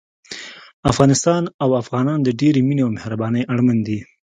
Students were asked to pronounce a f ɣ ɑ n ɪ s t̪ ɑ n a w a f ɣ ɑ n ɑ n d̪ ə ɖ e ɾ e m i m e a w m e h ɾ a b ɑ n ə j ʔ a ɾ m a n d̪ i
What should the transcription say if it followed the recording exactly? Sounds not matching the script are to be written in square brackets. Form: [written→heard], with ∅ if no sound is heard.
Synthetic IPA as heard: a f ɣ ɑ n ɪ s t̪ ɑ n a w a f ɣ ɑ n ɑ n d̪ ə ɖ e ɾ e m i [m→n] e a w m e h ɾ a b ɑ n ə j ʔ a [ɾ→ɽ] m a n d̪ i